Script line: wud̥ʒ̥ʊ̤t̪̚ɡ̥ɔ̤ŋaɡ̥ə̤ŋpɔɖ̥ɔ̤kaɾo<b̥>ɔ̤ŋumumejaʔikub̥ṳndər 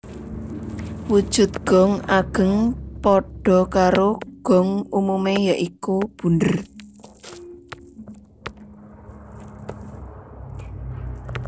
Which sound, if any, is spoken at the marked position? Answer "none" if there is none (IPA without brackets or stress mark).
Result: ɡ̥